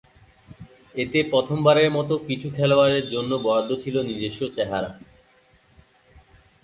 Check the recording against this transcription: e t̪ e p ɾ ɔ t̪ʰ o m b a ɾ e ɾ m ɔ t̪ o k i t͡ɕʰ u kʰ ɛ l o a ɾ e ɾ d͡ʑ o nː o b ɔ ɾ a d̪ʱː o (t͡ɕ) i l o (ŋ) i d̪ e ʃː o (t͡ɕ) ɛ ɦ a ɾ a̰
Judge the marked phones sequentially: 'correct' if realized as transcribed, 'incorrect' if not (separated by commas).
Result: incorrect, incorrect, correct